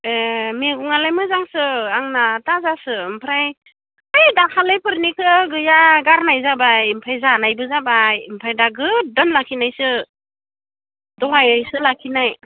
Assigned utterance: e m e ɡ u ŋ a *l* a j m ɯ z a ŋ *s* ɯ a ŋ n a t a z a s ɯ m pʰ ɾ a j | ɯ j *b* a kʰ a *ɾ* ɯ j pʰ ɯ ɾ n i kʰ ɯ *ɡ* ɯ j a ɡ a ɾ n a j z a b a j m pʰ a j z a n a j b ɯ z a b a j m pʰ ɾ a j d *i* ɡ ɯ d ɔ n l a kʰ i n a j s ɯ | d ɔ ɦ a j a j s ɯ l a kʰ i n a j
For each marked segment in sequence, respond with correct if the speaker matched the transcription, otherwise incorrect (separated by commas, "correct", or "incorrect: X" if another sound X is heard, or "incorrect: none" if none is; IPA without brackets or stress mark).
correct, correct, incorrect: d, incorrect: l, correct, incorrect: a